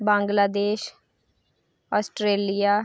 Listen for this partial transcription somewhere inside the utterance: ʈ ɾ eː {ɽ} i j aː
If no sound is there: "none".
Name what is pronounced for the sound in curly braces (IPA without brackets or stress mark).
l